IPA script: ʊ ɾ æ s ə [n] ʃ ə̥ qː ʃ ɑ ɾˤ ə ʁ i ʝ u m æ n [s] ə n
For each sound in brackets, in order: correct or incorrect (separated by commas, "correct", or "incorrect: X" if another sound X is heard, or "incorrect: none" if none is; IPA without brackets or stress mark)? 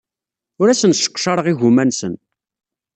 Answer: correct, correct